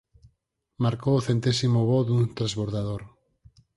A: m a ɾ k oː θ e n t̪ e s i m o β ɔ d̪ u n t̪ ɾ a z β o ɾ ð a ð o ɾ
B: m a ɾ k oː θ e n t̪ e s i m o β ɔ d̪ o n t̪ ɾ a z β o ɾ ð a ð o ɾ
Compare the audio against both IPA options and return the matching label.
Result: A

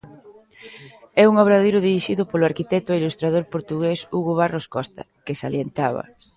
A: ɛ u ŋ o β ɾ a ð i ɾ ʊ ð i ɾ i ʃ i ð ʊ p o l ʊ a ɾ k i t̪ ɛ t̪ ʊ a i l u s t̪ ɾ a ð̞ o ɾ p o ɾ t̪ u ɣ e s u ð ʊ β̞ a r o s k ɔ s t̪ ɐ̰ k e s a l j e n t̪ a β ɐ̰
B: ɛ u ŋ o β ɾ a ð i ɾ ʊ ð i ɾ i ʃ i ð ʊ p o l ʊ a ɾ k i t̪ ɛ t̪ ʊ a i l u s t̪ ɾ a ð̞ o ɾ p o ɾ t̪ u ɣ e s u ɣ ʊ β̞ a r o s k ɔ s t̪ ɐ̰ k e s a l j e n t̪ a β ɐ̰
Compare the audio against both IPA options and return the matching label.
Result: B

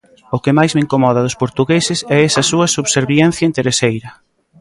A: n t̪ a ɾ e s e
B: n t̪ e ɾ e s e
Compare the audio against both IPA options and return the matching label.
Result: B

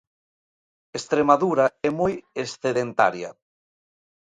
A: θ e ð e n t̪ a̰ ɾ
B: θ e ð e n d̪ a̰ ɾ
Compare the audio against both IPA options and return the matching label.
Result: A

